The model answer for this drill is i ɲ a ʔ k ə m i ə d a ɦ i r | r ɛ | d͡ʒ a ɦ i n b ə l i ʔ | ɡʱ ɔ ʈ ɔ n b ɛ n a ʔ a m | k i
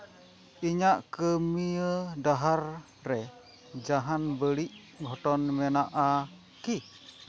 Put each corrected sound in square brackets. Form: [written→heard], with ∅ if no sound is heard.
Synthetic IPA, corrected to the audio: i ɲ a ʔ k ə m i ə d a ɦ [i→a] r | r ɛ | d͡ʒ a ɦ [i→a] n b ə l i ʔ | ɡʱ ɔ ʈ ɔ n [b→m] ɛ n a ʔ a [m→∅] | k i